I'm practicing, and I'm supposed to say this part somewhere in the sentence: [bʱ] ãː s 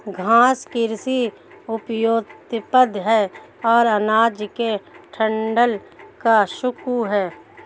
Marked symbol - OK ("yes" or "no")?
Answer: no